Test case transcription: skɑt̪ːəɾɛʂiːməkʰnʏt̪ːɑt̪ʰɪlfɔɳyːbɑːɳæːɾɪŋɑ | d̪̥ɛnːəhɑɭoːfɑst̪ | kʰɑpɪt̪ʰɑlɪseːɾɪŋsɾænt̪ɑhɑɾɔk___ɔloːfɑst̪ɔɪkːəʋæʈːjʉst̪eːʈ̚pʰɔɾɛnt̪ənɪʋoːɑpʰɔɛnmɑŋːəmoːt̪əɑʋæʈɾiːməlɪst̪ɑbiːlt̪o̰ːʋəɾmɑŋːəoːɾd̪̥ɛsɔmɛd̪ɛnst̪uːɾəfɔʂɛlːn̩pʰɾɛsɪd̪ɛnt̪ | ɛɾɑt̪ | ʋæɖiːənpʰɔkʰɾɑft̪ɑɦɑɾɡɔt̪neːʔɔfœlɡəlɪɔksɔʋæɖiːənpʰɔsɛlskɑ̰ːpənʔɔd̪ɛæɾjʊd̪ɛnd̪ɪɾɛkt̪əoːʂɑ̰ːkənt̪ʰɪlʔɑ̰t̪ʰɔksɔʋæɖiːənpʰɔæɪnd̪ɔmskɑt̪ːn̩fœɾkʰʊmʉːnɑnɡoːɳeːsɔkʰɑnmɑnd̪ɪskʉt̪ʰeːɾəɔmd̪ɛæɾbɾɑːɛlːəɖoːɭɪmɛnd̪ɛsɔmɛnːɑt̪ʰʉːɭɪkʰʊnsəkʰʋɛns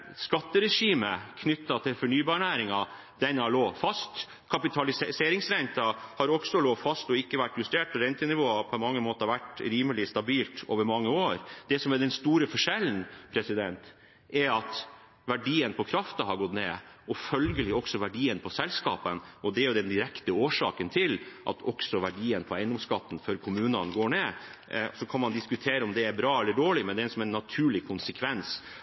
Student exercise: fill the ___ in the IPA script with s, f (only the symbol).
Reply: s